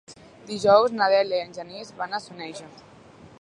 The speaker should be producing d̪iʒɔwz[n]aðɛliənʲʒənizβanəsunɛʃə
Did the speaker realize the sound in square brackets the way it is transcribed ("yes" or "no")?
yes